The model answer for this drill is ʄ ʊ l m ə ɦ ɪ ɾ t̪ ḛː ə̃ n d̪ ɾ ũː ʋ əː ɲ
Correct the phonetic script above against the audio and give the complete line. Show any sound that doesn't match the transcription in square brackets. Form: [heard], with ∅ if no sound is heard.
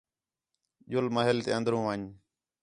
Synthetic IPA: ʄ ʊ l m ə ɦ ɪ [l] t̪ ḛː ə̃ n d̪ ɾ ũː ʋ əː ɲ